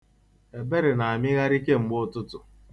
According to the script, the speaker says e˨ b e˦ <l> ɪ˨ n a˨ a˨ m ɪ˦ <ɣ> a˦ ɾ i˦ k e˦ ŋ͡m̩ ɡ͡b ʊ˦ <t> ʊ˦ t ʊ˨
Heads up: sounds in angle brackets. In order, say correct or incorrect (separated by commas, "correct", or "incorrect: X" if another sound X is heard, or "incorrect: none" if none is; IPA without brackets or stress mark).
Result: incorrect: ɾ, correct, correct